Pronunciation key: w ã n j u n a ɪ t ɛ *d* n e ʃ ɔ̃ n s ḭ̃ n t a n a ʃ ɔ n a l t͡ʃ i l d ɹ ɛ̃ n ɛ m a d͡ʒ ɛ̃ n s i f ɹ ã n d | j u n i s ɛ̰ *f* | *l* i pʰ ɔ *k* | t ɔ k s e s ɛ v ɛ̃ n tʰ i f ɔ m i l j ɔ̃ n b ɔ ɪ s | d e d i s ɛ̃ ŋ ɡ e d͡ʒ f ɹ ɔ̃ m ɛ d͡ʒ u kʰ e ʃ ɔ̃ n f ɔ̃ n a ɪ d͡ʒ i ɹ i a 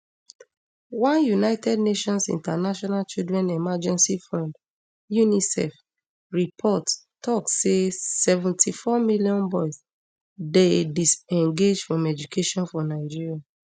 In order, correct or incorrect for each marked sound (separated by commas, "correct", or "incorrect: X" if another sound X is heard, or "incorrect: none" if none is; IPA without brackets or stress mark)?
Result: correct, correct, incorrect: ɹ, incorrect: t